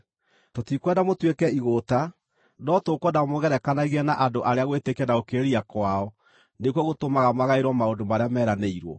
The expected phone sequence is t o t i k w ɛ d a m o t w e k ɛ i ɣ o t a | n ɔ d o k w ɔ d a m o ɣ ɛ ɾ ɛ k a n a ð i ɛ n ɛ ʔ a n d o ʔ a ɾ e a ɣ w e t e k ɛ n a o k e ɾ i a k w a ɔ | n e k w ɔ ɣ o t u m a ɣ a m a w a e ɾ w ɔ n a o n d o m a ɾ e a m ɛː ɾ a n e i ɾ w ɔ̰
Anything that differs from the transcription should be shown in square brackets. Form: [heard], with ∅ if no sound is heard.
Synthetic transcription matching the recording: t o t i k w ɛ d a m o t w e k ɛ i ɣ o t a | n ɔ [t] o k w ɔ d a m o ɣ ɛ ɾ ɛ k a n a [ɣ] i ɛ n [a] ʔ a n d o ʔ a ɾ e a ɣ w e t e k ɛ n a o k e ɾ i a k w a ɔ | n e k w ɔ ɣ o t [o] m a ɣ a m a [ɣ] a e ɾ w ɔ [m] a o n d o m a ɾ e a m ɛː ɾ a n e i ɾ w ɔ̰